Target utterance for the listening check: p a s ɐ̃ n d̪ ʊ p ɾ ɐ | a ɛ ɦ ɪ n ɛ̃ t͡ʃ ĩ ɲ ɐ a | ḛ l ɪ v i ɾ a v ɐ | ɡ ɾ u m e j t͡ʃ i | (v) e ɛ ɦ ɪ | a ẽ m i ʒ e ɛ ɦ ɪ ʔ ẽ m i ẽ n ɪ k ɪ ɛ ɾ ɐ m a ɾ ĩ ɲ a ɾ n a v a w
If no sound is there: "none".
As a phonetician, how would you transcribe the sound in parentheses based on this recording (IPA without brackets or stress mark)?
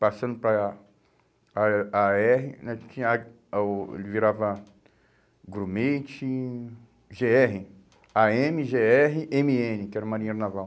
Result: ʒ